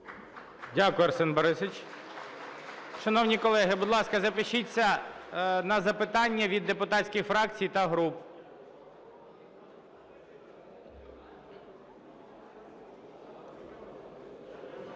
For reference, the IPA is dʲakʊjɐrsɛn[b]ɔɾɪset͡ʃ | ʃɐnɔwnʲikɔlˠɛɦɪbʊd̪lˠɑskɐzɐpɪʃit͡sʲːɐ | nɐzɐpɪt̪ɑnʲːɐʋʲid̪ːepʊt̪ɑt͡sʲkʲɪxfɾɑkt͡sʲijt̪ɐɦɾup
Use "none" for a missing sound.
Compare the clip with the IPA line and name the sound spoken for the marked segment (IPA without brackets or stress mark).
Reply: b